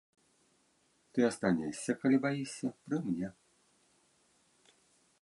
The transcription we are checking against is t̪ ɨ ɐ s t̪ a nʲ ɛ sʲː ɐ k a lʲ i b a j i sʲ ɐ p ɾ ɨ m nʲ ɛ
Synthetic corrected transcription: t̪ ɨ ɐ s t̪ a nʲ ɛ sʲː ɐ k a lʲ i b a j i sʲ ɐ p ɾ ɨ m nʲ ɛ

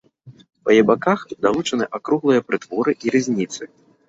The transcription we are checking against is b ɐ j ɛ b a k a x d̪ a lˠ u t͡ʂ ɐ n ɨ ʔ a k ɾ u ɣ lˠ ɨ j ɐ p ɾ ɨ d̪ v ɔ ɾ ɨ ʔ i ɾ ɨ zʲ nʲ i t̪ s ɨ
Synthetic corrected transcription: p ɐ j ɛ b a k a x d̪ a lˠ u t͡ʂ ɐ n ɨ ʔ a k ɾ u ɣ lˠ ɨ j ɐ p ɾ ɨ t̪ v ɔ ɾ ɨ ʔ i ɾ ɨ zʲ nʲ i t̪ s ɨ

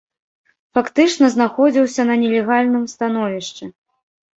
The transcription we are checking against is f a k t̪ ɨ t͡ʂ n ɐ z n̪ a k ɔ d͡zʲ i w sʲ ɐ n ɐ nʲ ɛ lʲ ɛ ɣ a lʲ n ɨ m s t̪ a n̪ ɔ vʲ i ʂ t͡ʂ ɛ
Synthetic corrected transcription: f a k t̪ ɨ t͡ʂ n ɐ z n̪ a x ɔ d͡zʲ i w sʲ ɐ n ɐ nʲ ɛ lʲ ɛ ɣ a lʲ n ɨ m s t̪ a n̪ ɔ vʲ i ʂ t͡ʂ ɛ

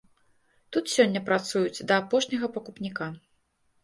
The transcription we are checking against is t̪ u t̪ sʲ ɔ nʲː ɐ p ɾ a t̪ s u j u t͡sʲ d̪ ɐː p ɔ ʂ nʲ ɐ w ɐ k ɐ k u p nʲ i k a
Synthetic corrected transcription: t̪ u t̪ sʲ ɔ nʲː ɐ p ɾ a t̪ s u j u t͡sʲ d̪ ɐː p ɔ ʂ nʲ ɐ ɣ ɐ p ɐ k u p nʲ i k a

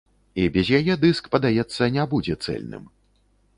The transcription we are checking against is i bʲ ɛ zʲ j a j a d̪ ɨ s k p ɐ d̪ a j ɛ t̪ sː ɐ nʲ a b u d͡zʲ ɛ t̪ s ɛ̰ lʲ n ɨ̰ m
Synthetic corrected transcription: i bʲ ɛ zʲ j a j ɛ d̪ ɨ s k p ɐ d̪ a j ɛ t̪ sː ɐ nʲ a b u d͡zʲ ɛ t̪ s ɛ̰ lʲ n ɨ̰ m

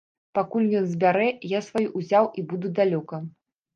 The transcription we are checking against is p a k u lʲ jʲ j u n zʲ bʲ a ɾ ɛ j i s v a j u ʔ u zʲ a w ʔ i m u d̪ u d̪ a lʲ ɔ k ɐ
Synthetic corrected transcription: p a k u lʲ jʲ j ɔ n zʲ bʲ a ɾ ɛ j a s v a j u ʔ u zʲ a w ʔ i b u d̪ u d̪ a lʲ ɔ k ɐ

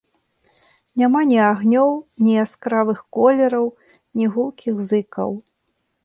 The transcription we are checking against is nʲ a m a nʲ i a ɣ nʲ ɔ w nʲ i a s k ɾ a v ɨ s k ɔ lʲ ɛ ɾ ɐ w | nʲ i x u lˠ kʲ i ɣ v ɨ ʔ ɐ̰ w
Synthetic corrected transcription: nʲ a m a nʲ i a ɣ nʲ ɔ w nʲ i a s k ɾ a v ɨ x k ɔ lʲ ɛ ɾ ɐ w | nʲ i ɣ u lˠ kʲ i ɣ z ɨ k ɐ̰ w

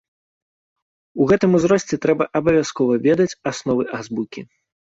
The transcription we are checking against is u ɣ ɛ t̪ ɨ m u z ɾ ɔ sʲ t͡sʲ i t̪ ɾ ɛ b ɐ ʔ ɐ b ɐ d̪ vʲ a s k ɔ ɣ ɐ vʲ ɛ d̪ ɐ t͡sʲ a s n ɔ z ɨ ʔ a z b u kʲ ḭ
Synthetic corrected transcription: u ɣ ɛ t̪ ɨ m u z ɾ ɔ sʲ t͡sʲ ɛ t̪ ɾ ɛ b ɐ ʔ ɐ b ɐ vʲ a s k ɔ v ɐ vʲ ɛ d̪ ɐ t͡sʲ a s n ɔ v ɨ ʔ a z b u kʲ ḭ

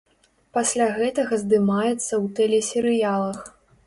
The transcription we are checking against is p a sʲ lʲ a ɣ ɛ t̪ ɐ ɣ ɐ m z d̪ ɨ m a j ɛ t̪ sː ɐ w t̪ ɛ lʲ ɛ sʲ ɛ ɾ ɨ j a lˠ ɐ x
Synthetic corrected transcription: p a sʲ lʲ a ɣ ɛ t̪ ɐ ɣ ɐ z d̪ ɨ m a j ɛ t̪ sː ɐ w t̪ ɛ lʲ ɛ sʲ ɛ ɾ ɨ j a lˠ ɐ x

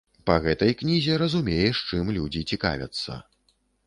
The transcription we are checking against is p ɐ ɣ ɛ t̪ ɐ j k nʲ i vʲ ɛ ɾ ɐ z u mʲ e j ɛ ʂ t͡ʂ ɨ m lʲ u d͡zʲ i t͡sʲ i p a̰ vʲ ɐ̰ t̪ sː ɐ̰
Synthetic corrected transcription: p ɐ ɣ ɛ t̪ ɐ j k nʲ i zʲ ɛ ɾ ɐ z u mʲ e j ɛ ʂ t͡ʂ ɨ m lʲ u d͡zʲ i t͡sʲ i k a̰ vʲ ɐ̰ t̪ sː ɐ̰

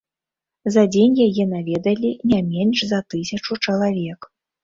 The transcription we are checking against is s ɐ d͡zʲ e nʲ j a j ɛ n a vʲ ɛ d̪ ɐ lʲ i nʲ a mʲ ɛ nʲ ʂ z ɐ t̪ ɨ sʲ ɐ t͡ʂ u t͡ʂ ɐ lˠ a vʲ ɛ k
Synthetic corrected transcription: z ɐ d͡zʲ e nʲ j a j ɛ n a vʲ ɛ d̪ ɐ lʲ i nʲ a mʲ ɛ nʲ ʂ z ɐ t̪ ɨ sʲ ɐ t͡ʂ u t͡ʂ ɐ lˠ a vʲ ɛ k

